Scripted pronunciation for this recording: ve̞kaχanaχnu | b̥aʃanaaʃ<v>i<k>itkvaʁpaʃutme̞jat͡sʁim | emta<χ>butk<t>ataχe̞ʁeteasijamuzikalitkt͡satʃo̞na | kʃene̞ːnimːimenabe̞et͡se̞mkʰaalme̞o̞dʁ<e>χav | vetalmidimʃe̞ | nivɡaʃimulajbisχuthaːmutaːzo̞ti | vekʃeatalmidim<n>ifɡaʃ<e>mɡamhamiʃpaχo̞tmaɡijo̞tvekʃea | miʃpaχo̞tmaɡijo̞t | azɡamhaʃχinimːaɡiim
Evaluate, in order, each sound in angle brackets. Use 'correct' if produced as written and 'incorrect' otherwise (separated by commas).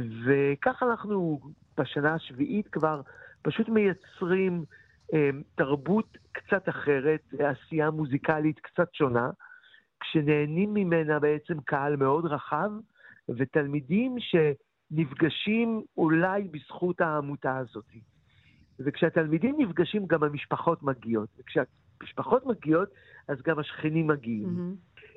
correct, incorrect, incorrect, incorrect, incorrect, correct, incorrect